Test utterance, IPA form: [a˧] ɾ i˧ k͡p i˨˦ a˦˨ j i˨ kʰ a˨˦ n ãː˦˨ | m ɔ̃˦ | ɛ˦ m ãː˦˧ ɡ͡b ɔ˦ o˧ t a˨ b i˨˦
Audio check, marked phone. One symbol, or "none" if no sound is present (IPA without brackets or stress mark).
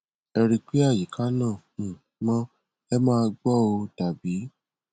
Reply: ɛ˧